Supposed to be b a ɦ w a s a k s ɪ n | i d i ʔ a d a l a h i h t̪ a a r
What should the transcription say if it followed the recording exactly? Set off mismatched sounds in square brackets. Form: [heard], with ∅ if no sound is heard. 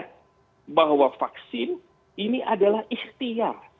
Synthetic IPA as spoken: b a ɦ w a [f] a k s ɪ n | i [n] i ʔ a d a l a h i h t̪ [i] a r